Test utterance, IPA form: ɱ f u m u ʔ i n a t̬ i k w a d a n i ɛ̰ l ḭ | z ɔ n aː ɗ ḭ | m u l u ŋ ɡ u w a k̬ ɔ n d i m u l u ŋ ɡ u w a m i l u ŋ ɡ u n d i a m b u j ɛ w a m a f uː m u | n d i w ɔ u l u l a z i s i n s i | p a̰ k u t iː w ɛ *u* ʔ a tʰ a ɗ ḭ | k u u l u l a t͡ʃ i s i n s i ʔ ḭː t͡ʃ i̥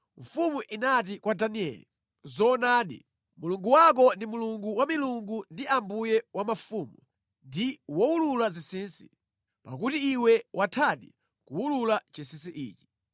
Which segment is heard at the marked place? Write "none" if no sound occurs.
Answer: w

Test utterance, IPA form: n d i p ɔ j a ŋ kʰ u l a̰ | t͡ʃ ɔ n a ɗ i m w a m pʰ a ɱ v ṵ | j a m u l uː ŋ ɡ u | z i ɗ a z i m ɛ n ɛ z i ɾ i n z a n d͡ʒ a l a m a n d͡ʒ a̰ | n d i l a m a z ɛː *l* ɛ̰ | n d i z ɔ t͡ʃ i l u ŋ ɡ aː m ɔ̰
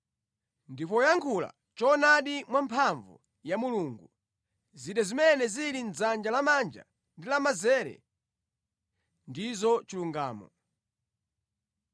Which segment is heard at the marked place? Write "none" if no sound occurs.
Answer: ɾ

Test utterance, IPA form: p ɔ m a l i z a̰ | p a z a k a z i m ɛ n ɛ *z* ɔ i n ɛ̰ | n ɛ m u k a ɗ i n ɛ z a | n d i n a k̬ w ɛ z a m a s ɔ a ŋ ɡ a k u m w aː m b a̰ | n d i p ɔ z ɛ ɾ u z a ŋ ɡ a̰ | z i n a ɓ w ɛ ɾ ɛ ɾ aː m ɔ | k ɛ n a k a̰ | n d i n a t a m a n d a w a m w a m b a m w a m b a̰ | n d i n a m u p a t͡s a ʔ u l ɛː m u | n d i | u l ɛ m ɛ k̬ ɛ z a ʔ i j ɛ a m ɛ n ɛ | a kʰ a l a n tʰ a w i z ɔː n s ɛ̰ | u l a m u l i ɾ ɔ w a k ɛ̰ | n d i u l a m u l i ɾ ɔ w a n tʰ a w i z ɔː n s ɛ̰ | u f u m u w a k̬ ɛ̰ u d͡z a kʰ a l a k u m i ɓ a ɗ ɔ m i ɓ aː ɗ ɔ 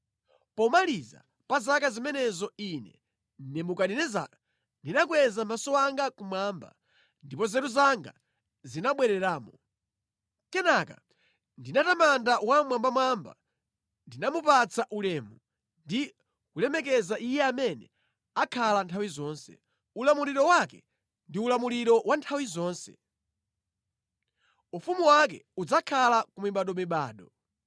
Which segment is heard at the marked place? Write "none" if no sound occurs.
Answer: z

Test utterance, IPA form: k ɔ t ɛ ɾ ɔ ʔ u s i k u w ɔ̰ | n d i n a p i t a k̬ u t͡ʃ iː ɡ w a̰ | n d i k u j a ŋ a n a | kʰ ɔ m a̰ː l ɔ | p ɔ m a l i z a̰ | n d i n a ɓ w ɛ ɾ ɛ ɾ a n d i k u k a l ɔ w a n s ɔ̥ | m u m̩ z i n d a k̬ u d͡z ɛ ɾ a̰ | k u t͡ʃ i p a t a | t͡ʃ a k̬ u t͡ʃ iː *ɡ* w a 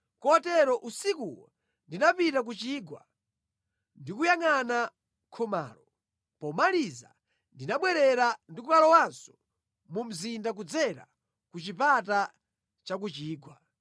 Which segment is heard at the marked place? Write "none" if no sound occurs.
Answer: ɡ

